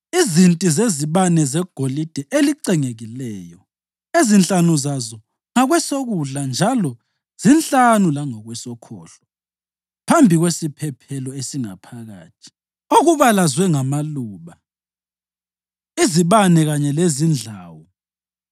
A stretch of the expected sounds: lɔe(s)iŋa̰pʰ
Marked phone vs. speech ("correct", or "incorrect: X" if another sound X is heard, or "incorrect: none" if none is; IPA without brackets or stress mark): correct